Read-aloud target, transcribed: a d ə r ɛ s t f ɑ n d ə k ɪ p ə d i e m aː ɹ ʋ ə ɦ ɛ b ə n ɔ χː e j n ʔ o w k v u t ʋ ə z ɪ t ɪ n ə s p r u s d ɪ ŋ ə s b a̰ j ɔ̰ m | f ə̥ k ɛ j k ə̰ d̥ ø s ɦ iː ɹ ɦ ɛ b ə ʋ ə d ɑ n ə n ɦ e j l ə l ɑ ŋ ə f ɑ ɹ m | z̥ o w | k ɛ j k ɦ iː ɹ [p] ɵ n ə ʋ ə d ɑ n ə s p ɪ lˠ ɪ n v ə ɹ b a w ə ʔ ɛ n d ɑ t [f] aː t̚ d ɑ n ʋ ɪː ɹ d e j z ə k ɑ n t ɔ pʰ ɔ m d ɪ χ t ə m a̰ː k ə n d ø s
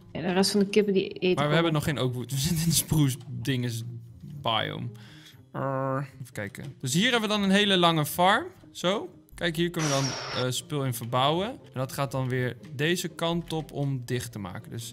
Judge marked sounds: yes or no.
no, no

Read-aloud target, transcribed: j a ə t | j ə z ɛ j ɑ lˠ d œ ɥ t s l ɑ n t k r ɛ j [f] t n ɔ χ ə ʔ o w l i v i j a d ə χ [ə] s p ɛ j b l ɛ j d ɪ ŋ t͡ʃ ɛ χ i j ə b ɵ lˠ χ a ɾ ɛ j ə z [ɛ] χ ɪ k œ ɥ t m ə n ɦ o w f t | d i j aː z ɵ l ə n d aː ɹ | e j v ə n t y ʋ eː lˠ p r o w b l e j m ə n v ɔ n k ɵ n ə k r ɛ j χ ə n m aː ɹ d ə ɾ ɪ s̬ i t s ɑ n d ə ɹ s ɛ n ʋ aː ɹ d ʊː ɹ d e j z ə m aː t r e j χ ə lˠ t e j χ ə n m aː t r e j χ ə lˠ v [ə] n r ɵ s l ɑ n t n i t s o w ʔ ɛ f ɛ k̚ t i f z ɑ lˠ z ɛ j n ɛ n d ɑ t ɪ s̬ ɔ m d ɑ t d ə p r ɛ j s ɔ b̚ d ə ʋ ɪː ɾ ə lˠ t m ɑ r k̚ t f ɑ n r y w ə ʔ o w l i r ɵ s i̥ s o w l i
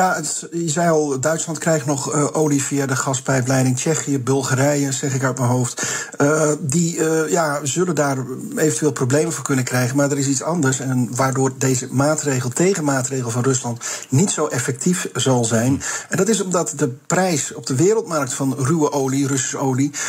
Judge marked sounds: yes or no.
no, no, yes, no

